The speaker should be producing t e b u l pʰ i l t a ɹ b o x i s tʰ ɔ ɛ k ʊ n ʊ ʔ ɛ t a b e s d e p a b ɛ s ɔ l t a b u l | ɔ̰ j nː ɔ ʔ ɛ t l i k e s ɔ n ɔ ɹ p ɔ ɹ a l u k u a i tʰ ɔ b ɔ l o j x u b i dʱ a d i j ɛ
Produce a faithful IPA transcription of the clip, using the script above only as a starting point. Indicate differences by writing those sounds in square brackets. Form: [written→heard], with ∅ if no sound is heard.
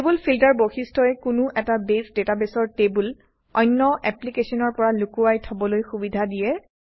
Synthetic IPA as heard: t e b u l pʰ i l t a ɹ b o x i s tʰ ɔ ɛ k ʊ n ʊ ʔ ɛ t a b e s d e [p→t] a b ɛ s ɔ [l→ɹ] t [a→e] b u l | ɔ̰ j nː ɔ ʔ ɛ [t→p] l i k e s ɔ n ɔ ɹ p ɔ ɹ a l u k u a [i→j] tʰ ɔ b ɔ l o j x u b i dʱ a d i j ɛ